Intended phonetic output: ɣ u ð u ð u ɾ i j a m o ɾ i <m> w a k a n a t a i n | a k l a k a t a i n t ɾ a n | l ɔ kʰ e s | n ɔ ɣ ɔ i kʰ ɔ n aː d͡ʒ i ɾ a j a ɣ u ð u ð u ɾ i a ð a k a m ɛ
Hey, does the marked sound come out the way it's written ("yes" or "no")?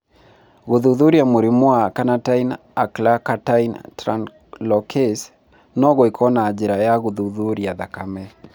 yes